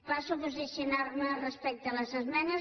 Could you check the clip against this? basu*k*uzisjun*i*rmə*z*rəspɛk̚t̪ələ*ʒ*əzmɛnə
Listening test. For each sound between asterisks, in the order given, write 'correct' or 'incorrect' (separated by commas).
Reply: incorrect, incorrect, incorrect, incorrect